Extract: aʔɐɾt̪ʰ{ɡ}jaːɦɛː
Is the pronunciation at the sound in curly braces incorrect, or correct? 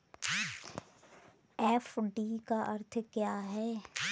incorrect